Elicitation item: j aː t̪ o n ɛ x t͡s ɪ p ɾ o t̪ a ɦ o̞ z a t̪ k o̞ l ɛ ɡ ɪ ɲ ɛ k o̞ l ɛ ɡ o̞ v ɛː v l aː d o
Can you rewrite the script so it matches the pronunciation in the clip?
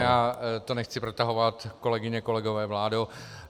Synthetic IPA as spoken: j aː t̪ o n ɛ x t͡s ɪ p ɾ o t̪ a ɦ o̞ v a t̪ k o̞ l ɛ ɡ ɪ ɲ ɛ k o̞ l ɛ ɡ o̞ v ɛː v l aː d o